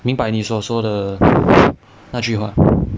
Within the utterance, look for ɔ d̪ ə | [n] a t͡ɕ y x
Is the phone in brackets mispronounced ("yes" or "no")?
no